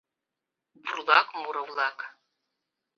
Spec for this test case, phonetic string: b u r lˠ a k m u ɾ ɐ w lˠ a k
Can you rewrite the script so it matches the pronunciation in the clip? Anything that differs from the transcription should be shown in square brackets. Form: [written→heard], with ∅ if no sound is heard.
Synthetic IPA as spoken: b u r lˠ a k m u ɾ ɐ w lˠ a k